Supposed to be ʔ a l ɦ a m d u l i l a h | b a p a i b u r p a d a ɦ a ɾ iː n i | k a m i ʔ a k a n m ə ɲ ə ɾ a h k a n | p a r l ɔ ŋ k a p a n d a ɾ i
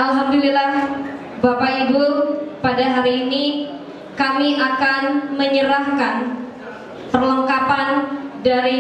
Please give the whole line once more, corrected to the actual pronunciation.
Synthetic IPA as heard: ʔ a l ɦ a m d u l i l a h | b a p a i b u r p a d a ɦ a ɾ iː n i | k a m i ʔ a k a n m ə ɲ ə ɾ a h k a n | p ə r l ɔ ŋ k a p a n d a ɾ i